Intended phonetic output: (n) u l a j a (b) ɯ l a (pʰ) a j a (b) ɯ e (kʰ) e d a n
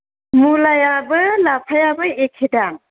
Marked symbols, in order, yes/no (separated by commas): no, yes, yes, yes, yes